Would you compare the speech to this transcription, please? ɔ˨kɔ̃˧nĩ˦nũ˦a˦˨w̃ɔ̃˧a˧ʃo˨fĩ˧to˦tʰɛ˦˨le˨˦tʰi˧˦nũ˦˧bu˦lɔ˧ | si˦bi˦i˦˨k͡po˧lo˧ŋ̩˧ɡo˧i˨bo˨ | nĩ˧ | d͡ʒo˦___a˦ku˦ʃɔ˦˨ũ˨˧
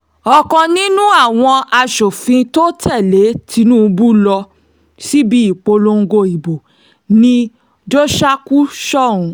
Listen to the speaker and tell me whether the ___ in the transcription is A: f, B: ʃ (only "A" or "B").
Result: B